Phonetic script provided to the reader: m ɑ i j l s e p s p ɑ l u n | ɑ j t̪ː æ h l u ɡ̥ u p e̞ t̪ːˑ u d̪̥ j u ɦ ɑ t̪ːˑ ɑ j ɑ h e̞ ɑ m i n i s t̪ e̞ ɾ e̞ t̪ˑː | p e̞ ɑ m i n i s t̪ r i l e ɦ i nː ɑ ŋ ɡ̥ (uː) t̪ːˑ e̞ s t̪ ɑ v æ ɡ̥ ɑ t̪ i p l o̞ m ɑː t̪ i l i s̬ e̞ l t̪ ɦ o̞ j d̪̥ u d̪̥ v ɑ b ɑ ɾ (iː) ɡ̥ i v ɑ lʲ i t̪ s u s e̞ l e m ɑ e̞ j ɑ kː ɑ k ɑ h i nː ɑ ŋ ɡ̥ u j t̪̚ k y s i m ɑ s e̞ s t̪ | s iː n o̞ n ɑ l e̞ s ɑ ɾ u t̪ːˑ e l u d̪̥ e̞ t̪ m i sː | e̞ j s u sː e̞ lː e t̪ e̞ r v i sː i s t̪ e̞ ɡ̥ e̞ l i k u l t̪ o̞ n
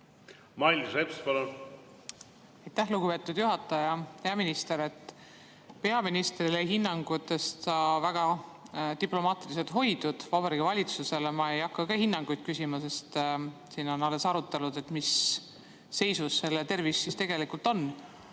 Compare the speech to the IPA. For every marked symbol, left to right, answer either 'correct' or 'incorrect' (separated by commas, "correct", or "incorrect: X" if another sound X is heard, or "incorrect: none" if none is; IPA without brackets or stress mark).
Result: incorrect: u, incorrect: i